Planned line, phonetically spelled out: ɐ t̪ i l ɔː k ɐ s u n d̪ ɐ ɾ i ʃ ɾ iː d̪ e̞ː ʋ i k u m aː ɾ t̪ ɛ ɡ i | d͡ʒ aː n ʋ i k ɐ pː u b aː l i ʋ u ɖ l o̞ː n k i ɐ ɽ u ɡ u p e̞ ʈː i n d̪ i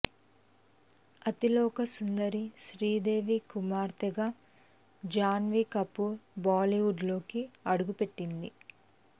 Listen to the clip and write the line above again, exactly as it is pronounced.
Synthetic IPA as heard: ɐ t̪ i l ɔː k ɐ s u n d̪ ɐ ɾ i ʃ ɾ iː d̪ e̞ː ʋ i k u m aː ɾ t̪ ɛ ɡ a | d͡ʒ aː n ʋ i k ɐ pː u b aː l i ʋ u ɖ l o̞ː k i ɐ ɽ u ɡ u p e̞ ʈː i n d̪ i